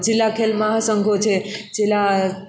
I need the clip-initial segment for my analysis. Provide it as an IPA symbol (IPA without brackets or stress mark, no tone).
d͡ʒ